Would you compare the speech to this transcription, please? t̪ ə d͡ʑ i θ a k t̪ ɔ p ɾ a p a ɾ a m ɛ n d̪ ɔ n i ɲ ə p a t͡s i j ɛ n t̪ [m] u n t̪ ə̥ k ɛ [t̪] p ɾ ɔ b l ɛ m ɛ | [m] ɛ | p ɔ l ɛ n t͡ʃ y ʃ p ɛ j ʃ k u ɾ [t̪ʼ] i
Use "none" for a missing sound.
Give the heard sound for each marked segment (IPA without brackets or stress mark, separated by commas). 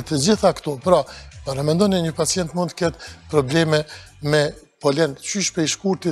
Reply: m, t̪, m, t̪